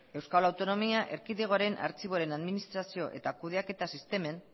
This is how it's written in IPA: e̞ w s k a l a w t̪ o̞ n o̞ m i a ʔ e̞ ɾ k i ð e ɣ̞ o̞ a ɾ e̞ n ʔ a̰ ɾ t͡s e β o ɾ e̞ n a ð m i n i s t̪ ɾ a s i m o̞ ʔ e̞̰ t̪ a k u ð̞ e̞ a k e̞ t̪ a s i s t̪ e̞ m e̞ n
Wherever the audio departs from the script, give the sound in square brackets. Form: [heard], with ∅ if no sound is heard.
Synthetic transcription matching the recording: e̞ w s k a l a w t̪ o̞ n o̞ m i a ʔ e̞ ɾ k i ð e ɣ̞ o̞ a ɾ e̞ n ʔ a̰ ɾ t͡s [i] β o ɾ e̞ n a ð m i n i s t̪ ɾ a s i [∅] o̞ ʔ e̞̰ t̪ a k u ð̞ e̞ a k e̞ t̪ a s i s t̪ e̞ m e̞ n